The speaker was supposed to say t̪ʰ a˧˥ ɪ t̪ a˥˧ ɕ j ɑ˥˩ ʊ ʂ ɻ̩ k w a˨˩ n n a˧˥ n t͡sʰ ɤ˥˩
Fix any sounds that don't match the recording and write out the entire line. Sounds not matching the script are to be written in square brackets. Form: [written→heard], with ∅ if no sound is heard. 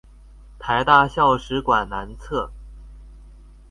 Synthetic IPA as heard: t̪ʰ a˧˥ ɪ t̪ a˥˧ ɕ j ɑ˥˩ ʊ ʂ ɻ̩ k w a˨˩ n n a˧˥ n t͡sʰ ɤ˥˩